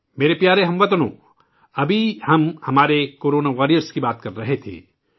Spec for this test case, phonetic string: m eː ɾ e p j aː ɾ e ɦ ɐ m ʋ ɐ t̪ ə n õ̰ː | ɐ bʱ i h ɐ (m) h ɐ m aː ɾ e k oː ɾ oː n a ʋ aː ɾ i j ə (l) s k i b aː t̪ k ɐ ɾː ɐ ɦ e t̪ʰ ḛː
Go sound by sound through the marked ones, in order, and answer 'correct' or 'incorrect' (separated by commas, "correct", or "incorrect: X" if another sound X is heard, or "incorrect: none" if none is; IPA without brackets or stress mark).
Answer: correct, incorrect: ɾ